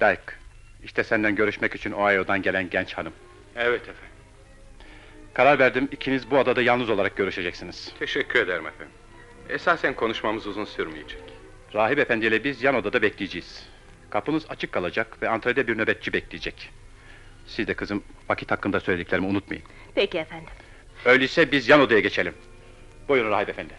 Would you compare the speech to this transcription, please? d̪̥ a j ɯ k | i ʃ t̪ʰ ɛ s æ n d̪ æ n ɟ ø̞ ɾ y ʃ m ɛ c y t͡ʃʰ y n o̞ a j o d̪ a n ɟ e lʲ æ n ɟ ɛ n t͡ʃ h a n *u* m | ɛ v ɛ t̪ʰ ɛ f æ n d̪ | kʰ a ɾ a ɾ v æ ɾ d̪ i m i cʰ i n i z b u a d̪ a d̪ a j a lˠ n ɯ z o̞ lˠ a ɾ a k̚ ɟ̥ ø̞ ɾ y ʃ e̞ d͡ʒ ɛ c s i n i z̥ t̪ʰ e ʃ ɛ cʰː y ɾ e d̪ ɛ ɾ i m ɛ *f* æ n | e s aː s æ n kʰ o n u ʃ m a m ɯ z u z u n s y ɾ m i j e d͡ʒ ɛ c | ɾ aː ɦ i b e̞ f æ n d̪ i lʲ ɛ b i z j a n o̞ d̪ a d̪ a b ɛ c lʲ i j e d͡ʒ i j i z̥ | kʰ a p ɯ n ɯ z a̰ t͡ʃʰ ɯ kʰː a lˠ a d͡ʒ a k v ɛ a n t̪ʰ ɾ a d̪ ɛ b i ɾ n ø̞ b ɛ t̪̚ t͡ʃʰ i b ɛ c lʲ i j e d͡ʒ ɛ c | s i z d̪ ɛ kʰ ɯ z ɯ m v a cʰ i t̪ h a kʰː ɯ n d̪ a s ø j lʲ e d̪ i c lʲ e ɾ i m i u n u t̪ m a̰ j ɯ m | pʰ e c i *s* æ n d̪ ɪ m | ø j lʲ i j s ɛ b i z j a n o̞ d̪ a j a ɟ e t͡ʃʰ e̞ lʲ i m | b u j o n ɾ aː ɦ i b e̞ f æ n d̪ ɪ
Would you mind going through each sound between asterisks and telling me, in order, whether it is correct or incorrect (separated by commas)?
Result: incorrect, correct, incorrect